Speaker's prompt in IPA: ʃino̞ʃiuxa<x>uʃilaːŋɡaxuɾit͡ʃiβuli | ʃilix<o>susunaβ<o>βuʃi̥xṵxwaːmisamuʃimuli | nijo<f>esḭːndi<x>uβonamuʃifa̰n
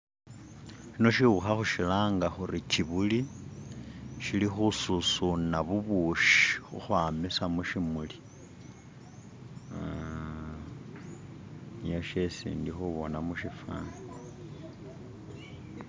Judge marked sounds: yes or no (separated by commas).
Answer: yes, no, no, no, yes